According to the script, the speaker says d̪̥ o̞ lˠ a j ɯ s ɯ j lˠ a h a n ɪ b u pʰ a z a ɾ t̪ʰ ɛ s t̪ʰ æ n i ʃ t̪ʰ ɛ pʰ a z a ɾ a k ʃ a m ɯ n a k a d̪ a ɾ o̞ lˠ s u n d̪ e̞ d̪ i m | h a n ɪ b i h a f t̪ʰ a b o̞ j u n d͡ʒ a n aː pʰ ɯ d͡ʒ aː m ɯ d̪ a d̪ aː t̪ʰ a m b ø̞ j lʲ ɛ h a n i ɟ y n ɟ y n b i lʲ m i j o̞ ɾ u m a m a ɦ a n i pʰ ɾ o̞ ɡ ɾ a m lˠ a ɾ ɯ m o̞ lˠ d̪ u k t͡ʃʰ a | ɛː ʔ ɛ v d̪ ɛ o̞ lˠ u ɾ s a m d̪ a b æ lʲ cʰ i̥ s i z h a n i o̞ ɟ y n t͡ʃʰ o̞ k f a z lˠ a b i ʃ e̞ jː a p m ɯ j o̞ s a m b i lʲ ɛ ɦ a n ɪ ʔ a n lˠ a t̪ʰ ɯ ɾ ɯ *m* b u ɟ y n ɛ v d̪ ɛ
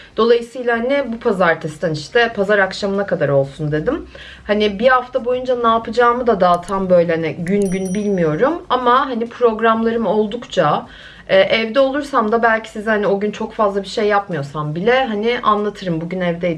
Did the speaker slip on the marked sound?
no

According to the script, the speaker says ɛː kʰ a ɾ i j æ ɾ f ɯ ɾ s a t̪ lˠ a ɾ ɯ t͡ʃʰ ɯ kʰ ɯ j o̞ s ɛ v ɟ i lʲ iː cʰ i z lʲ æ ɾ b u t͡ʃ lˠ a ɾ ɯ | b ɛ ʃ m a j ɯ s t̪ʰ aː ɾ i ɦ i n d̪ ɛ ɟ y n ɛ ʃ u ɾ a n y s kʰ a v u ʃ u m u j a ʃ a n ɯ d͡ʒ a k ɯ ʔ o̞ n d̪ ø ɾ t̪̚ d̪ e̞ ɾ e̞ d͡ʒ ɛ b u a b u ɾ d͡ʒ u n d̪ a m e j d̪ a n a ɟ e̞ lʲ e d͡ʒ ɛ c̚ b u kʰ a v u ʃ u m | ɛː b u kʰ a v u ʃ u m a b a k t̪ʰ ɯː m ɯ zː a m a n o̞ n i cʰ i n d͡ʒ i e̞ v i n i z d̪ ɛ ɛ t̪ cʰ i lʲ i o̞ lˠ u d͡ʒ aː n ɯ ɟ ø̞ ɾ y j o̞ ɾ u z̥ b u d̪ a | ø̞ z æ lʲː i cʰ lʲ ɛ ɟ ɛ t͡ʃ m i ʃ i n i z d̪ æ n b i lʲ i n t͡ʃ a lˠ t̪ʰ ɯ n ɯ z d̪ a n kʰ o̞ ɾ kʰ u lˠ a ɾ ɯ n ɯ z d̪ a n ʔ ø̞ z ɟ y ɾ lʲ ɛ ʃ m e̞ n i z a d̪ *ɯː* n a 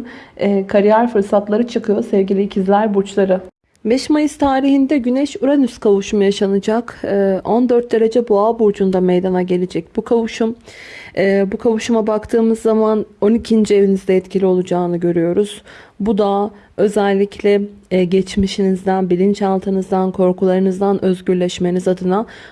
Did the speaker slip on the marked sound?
yes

